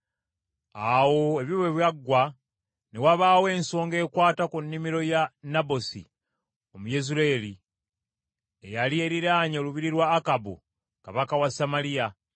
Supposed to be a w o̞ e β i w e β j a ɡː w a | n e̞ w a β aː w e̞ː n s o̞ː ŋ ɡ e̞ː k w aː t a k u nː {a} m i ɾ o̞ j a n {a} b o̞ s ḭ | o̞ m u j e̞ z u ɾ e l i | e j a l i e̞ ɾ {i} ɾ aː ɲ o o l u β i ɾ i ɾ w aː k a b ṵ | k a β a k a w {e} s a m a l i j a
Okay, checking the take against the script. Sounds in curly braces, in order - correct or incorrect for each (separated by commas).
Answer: incorrect, correct, correct, incorrect